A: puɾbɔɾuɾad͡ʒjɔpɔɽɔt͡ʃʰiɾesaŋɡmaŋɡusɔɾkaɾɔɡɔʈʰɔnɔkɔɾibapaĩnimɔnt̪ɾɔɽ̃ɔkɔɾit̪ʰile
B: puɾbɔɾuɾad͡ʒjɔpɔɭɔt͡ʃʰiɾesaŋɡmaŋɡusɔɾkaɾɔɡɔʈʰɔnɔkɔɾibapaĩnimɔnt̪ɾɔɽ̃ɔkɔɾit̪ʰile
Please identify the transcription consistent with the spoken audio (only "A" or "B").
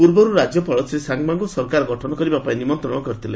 B